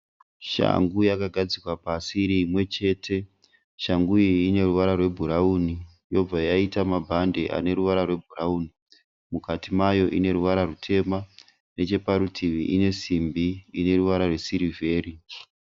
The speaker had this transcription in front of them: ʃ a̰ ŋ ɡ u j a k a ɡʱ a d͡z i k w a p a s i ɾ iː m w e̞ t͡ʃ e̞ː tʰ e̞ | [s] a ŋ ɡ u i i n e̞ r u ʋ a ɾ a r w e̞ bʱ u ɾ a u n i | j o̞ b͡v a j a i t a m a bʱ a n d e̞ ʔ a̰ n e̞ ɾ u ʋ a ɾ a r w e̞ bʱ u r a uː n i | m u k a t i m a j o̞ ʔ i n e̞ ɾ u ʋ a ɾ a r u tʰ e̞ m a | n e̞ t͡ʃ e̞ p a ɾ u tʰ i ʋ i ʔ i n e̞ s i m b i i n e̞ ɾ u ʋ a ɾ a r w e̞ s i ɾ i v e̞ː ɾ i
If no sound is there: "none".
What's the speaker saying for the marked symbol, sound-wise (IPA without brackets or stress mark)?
ʃ